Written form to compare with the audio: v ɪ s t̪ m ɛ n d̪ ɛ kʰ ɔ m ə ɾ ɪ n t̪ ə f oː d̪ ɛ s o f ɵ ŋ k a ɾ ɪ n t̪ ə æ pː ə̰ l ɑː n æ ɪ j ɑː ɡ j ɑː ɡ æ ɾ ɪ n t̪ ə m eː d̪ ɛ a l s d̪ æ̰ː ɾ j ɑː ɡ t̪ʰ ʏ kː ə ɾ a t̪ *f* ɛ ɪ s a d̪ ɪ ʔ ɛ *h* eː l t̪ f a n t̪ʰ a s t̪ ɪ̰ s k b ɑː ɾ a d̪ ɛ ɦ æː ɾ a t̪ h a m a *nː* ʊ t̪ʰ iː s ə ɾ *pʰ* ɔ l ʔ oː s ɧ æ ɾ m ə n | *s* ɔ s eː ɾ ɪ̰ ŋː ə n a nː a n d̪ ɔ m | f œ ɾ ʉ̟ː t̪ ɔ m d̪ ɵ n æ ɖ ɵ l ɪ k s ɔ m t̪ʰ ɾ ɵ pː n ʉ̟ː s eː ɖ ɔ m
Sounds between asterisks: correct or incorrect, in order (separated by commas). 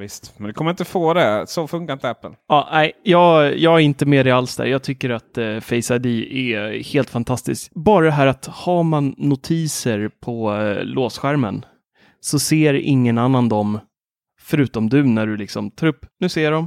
correct, correct, correct, correct, correct